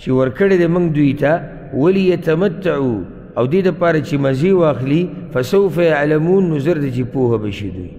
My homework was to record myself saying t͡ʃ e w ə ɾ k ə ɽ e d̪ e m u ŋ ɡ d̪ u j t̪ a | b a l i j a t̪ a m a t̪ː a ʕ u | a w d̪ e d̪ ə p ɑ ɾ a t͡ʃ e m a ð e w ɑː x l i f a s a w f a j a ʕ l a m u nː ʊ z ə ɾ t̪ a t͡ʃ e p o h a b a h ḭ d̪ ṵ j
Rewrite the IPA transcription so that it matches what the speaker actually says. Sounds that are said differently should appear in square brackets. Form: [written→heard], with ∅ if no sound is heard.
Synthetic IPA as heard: t͡ʃ e w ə ɾ k ə ɽ e d̪ e m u ŋ ɡ d̪ u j t̪ a | [b→w] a l i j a t̪ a m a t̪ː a ʕ u | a w d̪ e d̪ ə p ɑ ɾ a t͡ʃ e m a [ð→z] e w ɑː x l i f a s a w f a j a ʕ l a m u nː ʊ z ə ɾ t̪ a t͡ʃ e p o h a b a [h→ʃ] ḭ d̪ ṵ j